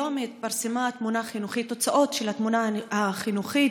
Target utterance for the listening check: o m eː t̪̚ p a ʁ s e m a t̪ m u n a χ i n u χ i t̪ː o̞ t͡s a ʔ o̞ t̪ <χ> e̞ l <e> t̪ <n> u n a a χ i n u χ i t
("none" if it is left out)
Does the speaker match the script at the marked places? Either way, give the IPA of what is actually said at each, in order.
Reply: ʃ, a, m

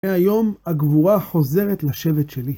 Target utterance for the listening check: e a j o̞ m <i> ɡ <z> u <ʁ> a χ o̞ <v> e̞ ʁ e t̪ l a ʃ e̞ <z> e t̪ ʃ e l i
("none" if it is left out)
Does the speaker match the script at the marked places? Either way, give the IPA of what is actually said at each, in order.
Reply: a, v, ʁ, z, v

